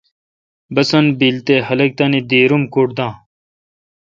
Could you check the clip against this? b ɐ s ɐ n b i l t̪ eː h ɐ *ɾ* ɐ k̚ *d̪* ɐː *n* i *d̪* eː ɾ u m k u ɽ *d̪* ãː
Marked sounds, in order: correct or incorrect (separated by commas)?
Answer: incorrect, incorrect, correct, correct, correct